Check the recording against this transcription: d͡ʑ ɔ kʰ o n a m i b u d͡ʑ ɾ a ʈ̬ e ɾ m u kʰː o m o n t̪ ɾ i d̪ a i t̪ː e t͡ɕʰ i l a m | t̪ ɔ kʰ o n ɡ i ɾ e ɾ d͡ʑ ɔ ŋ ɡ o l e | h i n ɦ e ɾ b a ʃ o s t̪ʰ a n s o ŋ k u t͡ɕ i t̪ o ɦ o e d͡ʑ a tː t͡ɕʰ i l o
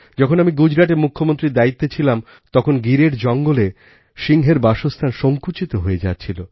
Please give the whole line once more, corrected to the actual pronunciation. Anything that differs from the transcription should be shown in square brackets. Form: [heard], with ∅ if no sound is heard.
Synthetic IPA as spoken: d͡ʑ ɔ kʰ o n a m i [ɡ] u d͡ʑ ɾ a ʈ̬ e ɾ m u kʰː o m o n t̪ ɾ i d̪ a i t̪ː e t͡ɕʰ i l a m | t̪ ɔ kʰ o n ɡ i ɾ e ɾ d͡ʑ ɔ ŋ ɡ o l e | [ʃ] i [ŋ] ɦ e ɾ b a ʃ o s t̪ʰ a n [ʃ] o ŋ k u t͡ɕ i t̪ o ɦ o e d͡ʑ a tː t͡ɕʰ i l o

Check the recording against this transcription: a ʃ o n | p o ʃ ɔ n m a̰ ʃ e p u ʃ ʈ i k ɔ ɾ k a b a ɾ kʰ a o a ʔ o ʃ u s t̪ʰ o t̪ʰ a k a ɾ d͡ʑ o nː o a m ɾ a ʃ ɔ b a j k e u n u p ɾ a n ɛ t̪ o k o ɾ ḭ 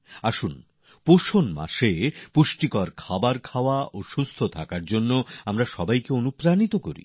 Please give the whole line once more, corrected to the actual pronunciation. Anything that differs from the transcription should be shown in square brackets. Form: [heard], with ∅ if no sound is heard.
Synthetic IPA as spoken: a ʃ [u] n | p o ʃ [o] n m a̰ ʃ e p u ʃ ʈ i k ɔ ɾ [kʰ] a b a ɾ kʰ a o a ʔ o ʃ u s t̪ʰ o t̪ʰ a k a ɾ d͡ʑ o nː o a m ɾ a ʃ ɔ b a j k e [o] n u p ɾ a n [i] t̪ o k o ɾ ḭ

